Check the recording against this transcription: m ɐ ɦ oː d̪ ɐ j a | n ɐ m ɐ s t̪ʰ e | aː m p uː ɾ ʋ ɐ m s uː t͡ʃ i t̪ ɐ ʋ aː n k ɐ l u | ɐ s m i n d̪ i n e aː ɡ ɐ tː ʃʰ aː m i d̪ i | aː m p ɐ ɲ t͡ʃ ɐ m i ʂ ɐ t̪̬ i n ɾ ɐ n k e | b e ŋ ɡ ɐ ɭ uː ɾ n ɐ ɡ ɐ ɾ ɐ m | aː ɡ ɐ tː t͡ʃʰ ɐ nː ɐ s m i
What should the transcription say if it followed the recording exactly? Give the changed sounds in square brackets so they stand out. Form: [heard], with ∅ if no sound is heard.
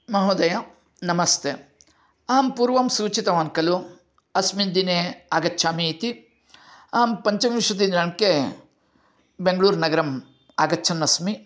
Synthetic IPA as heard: m ɐ ɦ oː d̪ ɐ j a | n ɐ m ɐ s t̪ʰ e | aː m p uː ɾ ʋ ɐ m s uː t͡ʃ i t̪ ɐ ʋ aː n k ɐ l u | ɐ s m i n d̪ i n e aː ɡ ɐ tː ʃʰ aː m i [t̪] i | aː m p ɐ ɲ t͡ʃ ɐ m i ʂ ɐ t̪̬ i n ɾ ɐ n k e | b e ŋ ɡ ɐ ɭ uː ɾ n ɐ ɡ ɐ ɾ ɐ m | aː ɡ ɐ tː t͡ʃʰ ɐ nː ɐ s m i